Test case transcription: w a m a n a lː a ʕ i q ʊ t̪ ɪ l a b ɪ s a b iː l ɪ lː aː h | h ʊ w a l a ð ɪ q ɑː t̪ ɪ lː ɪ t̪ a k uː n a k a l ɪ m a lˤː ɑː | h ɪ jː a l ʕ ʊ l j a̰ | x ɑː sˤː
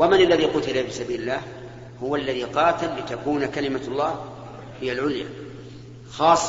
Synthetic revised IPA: w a m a n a lː a ð i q ʊ t̪ ɪ l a b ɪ s a b iː l ɪ lː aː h | h ʊ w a lː a ð i q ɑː t̪ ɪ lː ɪ t̪ a k uː n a k a l ɪ m a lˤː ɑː | h ɪ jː a l ʕ ʊ l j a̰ | x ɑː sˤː